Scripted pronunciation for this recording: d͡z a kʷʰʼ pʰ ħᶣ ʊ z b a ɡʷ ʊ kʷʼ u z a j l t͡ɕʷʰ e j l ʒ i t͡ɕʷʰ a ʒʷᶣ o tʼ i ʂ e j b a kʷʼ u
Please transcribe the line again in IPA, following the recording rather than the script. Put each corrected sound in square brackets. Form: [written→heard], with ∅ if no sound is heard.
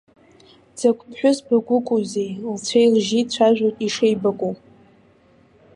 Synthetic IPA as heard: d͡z a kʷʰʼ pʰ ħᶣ ʊ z b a ɡʷ ʊ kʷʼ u z [a→e] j l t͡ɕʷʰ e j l ʒ i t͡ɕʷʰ a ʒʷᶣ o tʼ i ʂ e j b a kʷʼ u